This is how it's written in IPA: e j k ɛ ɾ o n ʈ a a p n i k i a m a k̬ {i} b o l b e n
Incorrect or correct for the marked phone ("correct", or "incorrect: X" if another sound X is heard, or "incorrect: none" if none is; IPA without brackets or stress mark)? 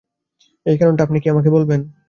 incorrect: e